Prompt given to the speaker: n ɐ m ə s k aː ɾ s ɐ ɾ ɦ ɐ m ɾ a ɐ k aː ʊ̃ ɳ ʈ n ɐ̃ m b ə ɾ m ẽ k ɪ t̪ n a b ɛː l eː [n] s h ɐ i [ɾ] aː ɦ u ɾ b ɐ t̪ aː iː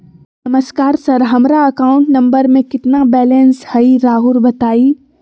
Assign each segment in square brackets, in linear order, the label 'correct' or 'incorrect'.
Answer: correct, correct

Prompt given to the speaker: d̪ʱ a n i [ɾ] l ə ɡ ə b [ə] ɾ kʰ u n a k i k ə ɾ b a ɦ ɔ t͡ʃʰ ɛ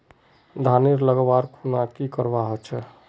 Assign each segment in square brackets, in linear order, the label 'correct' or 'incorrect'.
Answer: correct, incorrect: a

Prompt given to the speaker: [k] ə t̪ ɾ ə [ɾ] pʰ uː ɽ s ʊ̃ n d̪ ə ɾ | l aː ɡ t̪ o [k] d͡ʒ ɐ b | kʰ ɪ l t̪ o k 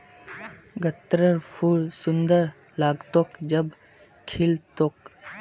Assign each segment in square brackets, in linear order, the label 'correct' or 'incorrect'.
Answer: incorrect: ɡ, correct, correct

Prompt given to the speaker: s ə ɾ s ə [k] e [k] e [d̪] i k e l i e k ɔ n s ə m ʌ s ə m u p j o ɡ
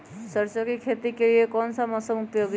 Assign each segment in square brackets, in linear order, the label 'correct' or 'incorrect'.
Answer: correct, incorrect: kʰ, incorrect: t̪

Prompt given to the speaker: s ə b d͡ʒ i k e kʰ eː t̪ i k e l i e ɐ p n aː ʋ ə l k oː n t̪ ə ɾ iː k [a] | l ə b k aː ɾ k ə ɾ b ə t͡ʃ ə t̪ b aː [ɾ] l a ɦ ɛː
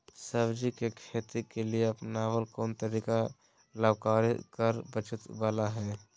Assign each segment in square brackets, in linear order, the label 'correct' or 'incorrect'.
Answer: correct, incorrect: none

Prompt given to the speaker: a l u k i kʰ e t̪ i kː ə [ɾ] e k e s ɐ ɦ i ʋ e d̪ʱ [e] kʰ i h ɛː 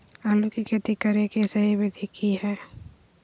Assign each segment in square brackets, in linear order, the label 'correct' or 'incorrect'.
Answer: correct, incorrect: i

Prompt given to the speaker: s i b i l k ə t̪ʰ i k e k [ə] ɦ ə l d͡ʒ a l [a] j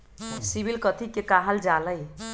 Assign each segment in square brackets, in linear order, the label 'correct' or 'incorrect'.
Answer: incorrect: a, incorrect: ə

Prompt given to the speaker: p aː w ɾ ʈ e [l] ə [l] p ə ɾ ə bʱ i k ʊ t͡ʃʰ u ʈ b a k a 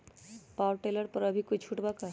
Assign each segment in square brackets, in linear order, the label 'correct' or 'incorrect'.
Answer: correct, incorrect: ɾ

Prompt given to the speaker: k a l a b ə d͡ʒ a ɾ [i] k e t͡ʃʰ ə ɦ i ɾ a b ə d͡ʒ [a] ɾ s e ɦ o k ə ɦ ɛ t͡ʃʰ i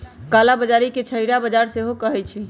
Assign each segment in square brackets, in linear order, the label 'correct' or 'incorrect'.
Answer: correct, correct

